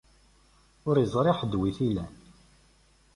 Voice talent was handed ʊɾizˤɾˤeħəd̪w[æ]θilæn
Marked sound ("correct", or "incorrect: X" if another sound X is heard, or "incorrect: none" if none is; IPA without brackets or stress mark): incorrect: i